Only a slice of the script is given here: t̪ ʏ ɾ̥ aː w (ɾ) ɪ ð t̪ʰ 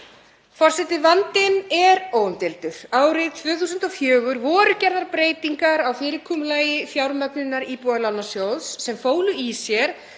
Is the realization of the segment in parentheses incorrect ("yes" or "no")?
no